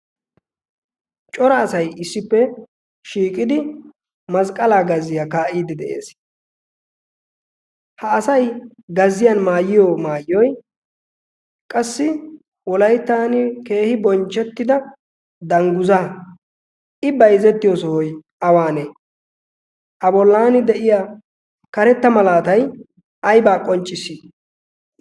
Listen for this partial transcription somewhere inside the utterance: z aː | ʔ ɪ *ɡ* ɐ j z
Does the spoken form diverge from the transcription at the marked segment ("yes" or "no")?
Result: yes